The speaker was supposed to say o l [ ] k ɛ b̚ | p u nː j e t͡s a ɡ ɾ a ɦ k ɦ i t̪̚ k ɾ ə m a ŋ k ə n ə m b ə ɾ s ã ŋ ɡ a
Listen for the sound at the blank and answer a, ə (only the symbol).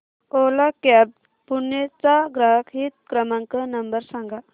a